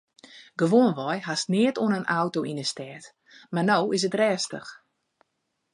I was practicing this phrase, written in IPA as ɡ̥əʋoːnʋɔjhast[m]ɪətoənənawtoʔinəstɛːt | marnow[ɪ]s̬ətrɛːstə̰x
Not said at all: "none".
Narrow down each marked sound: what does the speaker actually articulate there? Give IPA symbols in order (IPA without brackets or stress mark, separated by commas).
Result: n, ɪ